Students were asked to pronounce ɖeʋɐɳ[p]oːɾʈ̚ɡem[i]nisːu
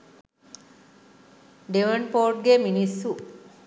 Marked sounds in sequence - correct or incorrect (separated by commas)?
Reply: correct, correct